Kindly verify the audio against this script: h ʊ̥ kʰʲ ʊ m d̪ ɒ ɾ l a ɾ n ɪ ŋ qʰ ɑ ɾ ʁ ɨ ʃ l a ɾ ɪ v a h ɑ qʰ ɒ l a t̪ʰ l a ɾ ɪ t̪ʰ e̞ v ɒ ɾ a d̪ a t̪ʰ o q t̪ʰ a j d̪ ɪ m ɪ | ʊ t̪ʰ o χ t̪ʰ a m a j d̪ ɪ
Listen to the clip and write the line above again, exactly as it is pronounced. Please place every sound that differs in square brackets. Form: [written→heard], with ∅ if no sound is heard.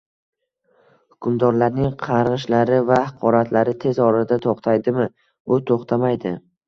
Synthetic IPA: h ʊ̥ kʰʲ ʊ m d̪ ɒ ɾ l a ɾ n ɪ ŋ qʰ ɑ ɾ ʁ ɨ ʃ l a ɾ ɪ v a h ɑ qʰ ɒ [l→ɾ] a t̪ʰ l a ɾ ɪ t̪ʰ e̞ [v→z] ɒ ɾ a d̪ a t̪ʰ o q t̪ʰ a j d̪ ɪ m ɪ | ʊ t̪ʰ o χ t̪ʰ a m a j d̪ ɪ